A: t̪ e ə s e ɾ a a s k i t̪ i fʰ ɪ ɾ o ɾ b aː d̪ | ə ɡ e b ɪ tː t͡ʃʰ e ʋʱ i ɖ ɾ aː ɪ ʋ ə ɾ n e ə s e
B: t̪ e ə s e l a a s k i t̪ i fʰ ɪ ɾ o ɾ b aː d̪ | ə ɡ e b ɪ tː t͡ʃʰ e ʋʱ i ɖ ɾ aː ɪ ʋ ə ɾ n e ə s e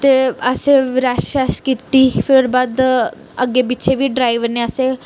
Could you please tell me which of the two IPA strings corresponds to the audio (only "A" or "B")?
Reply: A